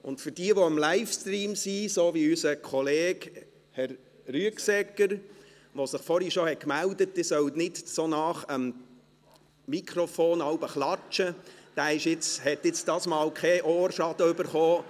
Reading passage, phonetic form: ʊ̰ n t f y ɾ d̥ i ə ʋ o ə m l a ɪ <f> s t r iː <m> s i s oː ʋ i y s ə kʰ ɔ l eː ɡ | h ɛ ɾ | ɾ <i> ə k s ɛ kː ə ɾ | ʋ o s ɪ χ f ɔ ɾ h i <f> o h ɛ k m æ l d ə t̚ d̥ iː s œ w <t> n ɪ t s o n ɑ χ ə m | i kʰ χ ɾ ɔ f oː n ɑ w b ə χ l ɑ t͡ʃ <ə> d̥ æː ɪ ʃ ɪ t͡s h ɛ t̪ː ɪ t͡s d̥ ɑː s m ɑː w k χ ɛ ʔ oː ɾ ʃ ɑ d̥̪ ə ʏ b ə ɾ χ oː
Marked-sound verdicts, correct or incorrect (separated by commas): correct, correct, incorrect, incorrect, correct, correct